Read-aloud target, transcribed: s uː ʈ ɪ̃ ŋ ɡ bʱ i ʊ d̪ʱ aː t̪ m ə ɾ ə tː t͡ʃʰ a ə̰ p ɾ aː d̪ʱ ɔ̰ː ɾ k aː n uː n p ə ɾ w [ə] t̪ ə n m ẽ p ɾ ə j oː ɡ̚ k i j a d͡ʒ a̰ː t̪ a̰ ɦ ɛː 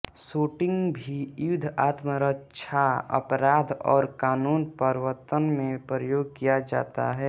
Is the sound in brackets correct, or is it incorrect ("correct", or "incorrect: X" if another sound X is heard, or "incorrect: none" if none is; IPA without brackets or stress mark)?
correct